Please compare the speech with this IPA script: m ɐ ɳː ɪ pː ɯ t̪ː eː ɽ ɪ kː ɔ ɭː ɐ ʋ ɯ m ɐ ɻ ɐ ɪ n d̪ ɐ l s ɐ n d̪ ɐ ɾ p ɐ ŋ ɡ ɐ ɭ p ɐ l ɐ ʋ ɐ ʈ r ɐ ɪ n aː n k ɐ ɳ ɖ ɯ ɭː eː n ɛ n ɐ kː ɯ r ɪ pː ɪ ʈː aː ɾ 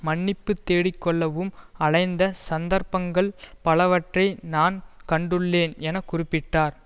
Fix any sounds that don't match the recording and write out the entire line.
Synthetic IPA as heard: m ɐ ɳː ɪ pː ɯ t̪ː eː ɽ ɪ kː ɔ ɭː ɐ ʋ ɯ m ɐ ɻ ɐ ɪ n d̪ ɐ s ɐ n d̪ ɐ ɾ p ɐ ŋ ɡ ɐ ɭ p ɐ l ɐ ʋ ɐ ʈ r ɐ ɪ n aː n k ɐ ɳ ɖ ɯ ɭː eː n ɛ n ɐ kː ʊ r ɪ pː ɪ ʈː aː ɾ